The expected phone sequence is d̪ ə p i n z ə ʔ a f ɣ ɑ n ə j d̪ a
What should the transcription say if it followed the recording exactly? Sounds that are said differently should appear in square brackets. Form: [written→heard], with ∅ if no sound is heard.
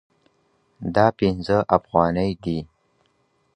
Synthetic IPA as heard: d̪ [ə→ɑ] p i n z ə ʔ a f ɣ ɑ n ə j d̪ [a→i]